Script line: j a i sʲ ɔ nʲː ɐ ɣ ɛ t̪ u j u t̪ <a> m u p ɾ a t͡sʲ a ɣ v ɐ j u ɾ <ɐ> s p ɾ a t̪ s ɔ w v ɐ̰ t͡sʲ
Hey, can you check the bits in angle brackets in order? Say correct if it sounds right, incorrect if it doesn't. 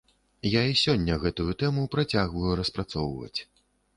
incorrect, correct

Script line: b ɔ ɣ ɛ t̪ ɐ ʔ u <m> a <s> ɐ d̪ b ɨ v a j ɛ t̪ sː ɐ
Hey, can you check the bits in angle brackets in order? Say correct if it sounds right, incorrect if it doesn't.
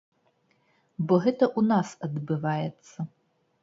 incorrect, correct

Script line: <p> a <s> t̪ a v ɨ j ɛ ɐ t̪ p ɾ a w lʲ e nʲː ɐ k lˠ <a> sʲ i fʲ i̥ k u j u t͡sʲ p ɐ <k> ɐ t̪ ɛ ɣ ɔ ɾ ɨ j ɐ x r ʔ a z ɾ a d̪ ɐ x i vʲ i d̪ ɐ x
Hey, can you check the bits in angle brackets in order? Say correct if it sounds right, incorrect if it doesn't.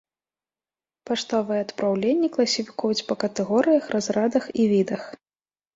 correct, incorrect, incorrect, correct

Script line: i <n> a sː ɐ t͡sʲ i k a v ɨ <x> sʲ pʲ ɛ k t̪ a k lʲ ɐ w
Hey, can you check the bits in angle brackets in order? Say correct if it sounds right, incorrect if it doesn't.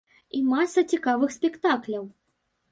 incorrect, correct

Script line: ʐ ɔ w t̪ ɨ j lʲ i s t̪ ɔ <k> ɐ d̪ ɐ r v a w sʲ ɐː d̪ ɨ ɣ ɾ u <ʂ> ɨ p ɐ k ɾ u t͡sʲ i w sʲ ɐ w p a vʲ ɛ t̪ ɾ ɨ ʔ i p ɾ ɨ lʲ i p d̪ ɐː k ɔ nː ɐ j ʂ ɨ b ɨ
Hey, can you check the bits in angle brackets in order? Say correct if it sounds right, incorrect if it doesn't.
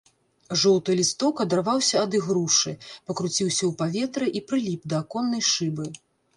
correct, correct

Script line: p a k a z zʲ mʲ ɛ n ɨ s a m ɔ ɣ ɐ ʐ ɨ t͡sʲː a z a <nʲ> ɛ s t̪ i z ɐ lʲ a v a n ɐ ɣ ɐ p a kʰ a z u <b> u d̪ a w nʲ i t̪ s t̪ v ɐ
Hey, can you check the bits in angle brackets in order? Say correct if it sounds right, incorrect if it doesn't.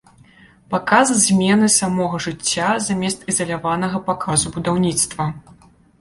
incorrect, correct

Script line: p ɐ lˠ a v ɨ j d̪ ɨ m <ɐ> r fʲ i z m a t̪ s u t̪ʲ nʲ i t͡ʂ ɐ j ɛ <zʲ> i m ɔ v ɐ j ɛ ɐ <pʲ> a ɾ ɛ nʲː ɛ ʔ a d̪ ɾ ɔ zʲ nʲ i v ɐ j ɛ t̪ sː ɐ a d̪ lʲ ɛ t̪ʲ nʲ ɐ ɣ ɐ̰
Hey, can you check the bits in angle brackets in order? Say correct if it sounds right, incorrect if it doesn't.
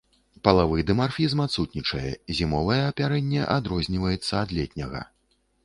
incorrect, correct, correct

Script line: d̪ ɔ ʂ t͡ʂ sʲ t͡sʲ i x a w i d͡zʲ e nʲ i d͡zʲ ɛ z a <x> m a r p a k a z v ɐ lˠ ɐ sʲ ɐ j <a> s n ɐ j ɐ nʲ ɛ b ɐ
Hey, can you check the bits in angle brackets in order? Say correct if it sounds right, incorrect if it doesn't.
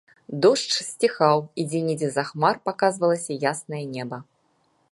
correct, correct

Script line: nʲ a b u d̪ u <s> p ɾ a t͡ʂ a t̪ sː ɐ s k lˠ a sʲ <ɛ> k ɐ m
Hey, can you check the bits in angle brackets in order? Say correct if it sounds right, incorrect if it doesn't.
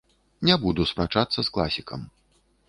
correct, incorrect

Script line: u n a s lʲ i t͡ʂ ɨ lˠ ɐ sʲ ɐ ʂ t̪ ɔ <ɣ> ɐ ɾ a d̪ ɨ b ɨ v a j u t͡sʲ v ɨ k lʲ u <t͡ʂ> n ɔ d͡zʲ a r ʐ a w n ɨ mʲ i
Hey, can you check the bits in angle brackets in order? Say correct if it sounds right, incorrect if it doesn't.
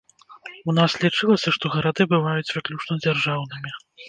correct, correct

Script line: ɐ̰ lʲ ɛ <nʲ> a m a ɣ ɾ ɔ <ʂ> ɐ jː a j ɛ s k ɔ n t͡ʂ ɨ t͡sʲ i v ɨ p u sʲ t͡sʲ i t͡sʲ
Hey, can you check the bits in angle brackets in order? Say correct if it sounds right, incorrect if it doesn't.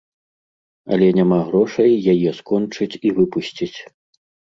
correct, correct

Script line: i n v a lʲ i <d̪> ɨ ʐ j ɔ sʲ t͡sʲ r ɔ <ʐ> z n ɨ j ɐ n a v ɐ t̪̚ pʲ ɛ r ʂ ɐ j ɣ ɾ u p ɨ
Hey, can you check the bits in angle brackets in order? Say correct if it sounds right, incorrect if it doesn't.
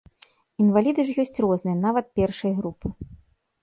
correct, incorrect

